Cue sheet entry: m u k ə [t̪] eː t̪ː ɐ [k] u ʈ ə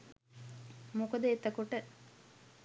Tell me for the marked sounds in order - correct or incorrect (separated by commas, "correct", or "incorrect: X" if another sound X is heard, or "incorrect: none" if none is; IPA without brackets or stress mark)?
incorrect: d̪, correct